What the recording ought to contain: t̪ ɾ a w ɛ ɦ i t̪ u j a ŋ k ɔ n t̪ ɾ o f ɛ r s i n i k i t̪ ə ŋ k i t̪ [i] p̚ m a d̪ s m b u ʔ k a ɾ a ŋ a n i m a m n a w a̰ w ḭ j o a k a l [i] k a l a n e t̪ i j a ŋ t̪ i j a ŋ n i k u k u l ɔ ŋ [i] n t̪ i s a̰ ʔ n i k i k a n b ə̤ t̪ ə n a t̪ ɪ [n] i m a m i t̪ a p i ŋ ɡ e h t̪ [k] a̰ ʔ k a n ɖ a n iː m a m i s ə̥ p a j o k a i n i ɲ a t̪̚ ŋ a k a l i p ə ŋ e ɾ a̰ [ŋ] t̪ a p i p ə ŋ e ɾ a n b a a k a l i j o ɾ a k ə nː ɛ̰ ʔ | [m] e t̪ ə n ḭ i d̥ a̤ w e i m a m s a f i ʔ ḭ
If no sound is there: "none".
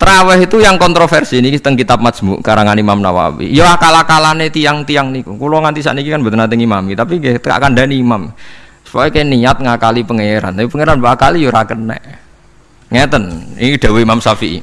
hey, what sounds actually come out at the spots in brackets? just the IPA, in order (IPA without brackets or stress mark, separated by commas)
a, a, a, ŋ, k, n, ŋ